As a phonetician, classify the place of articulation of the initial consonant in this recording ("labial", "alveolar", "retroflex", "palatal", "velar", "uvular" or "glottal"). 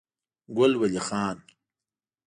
velar